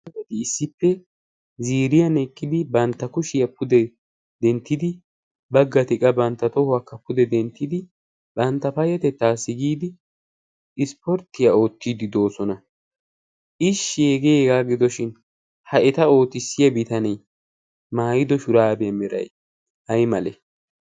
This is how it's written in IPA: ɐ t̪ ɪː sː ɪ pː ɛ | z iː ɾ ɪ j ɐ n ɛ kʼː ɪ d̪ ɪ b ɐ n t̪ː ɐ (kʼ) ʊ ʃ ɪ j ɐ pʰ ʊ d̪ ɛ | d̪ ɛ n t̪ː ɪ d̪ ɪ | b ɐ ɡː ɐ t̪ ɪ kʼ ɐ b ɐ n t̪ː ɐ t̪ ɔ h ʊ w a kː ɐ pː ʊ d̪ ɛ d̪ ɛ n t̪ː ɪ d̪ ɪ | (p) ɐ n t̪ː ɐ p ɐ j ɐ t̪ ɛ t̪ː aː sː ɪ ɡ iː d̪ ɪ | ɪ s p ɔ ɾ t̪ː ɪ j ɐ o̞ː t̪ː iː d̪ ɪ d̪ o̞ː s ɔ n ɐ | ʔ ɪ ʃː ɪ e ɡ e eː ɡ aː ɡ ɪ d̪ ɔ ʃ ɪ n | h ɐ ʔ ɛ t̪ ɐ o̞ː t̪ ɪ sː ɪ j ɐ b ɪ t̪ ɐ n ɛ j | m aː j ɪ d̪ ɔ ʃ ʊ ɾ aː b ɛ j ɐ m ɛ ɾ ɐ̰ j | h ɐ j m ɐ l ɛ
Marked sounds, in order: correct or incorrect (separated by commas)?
incorrect, incorrect